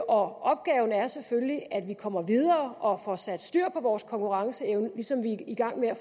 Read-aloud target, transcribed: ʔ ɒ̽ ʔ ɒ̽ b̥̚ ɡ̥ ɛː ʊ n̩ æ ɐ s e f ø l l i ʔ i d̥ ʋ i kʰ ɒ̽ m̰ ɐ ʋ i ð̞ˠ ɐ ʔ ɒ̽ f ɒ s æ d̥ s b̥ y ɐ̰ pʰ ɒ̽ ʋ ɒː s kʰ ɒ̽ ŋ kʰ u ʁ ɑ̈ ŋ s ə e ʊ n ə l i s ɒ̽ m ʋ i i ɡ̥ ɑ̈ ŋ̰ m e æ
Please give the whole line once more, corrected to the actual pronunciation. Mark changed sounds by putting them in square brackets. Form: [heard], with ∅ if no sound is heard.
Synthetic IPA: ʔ ɒ̽ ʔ ɒ̽ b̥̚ ɡ̥ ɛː ʊ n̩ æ ɐ s e f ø l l i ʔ [æ] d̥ ʋ i kʰ ɒ̽ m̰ ɐ ʋ i ð̞ˠ [ɐː] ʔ ɒ̽ f ɒ s æ d̥ s [d̥] y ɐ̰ pʰ ɒ̽ ʋ ɒː s kʰ ɒ̽ ŋ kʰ u ʁ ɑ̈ ŋ s ə e ʊ n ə l i s ɒ̽ m ʋ i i ɡ̥ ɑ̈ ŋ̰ m e æ